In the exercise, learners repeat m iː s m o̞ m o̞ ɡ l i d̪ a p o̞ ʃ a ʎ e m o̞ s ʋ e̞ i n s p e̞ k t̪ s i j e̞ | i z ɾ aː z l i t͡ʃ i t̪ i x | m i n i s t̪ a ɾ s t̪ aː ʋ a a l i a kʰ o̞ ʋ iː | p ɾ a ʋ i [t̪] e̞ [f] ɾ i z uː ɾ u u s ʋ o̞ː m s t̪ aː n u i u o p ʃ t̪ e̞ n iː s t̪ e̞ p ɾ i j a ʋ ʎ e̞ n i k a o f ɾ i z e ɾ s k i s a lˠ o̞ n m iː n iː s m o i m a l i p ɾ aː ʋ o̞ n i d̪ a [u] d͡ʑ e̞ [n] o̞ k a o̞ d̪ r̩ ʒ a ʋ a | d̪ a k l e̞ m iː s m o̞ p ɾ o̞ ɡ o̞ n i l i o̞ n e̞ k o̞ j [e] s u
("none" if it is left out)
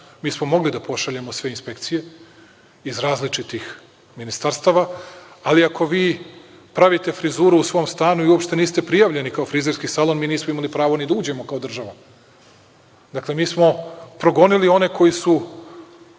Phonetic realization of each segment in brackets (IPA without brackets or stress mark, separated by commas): t̪, f, uː, m, i